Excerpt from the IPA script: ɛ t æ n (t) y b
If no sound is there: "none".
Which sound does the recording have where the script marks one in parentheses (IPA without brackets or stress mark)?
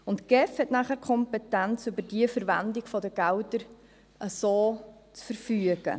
t͡s